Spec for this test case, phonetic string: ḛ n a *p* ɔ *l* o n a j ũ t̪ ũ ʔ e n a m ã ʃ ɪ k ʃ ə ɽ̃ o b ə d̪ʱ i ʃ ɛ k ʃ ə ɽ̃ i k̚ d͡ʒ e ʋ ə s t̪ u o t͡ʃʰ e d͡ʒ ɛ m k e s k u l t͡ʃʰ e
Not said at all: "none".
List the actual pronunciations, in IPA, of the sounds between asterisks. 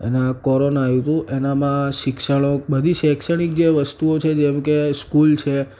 k, ɾ

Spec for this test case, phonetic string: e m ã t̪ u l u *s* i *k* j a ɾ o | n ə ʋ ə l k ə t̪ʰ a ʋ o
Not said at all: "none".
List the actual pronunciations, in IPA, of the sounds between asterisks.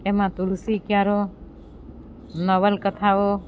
s, k

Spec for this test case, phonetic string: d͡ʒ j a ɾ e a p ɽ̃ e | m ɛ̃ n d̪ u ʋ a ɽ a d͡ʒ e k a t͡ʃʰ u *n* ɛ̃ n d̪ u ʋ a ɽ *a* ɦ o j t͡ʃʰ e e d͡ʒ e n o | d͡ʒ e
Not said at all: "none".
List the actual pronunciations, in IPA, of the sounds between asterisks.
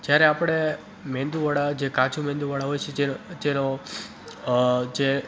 m, a

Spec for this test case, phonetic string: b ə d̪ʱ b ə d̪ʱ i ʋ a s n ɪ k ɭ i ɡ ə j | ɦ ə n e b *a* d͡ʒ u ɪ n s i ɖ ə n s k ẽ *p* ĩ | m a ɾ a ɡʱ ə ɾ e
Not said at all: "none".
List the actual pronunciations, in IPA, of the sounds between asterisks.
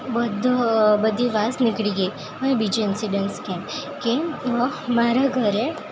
i, k

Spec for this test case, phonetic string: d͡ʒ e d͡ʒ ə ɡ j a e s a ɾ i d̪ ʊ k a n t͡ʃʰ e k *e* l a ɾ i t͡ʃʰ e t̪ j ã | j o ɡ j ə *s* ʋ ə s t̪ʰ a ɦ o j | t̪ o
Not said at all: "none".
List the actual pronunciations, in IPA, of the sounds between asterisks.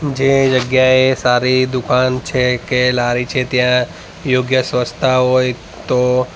e, s

